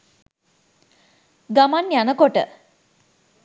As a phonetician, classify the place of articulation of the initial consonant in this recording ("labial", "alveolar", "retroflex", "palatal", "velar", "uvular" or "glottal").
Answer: velar